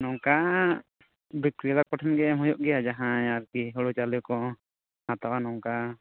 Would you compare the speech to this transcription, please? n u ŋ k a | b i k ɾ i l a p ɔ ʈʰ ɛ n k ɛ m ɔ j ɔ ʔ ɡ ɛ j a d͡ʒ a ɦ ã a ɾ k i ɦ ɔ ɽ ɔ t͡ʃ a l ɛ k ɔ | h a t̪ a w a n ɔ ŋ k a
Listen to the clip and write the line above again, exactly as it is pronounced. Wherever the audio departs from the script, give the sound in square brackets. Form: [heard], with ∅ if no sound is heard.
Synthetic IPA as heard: n [ɔ] ŋ k a | b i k ɾ i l a p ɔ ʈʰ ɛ n [ɡ] ɛ m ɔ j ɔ ʔ ɡ ɛ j a d͡ʒ a ɦ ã a ɾ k i ɦ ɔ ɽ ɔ t͡ʃ a l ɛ k ɔ | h a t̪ a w a n ɔ ŋ k a